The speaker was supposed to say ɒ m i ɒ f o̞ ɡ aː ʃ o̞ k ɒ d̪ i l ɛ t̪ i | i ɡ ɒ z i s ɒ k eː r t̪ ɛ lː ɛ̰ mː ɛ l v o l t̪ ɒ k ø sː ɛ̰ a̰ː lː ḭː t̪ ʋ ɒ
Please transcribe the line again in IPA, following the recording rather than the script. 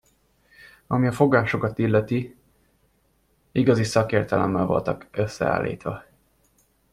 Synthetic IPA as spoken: ɒ m i ɒ f o̞ ɡ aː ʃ o̞ k ɒ t̪ i lː ɛ t̪ i | i ɡ ɒ z i s ɒ k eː r t̪ ɛ l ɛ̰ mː ɛ l v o l t̪ ɒ k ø sː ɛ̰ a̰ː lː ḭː t̪ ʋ ɒ